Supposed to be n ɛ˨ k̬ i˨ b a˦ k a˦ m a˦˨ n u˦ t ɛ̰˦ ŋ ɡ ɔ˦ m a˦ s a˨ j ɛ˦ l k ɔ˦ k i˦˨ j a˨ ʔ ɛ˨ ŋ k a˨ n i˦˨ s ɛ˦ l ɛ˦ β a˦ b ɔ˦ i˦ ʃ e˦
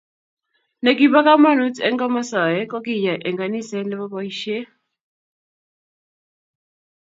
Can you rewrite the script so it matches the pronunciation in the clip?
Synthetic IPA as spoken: n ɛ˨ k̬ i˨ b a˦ k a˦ m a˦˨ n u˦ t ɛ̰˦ ŋ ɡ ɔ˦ m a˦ s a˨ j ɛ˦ k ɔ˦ k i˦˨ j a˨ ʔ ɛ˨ ŋ ɡ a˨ n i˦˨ s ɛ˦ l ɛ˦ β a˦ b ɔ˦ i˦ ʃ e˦